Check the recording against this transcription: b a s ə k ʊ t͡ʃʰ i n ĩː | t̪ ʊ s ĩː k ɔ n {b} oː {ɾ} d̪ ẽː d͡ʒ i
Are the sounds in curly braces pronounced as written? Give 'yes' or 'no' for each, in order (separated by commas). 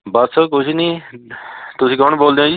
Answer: yes, no